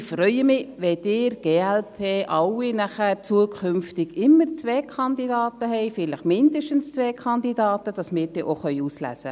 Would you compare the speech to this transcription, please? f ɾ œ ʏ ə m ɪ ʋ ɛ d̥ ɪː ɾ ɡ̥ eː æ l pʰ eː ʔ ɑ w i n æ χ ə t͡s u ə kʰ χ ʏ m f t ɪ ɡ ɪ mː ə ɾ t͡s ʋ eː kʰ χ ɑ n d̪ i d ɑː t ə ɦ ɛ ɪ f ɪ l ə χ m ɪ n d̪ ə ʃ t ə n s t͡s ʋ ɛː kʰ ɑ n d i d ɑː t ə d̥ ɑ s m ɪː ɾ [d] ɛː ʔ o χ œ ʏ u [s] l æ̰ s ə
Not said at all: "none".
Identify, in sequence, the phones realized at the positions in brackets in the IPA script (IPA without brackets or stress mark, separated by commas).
d, s